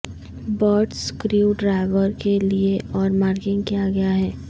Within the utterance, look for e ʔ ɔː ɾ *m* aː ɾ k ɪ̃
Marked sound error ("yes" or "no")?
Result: no